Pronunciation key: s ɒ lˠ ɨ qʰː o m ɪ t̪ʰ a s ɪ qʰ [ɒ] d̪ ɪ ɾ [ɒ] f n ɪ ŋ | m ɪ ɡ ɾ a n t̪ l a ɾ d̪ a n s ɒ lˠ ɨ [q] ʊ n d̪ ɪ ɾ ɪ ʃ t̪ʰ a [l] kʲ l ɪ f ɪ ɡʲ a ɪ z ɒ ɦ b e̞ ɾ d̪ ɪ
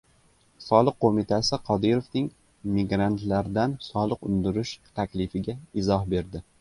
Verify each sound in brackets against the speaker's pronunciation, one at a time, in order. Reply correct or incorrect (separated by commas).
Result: correct, incorrect, correct, incorrect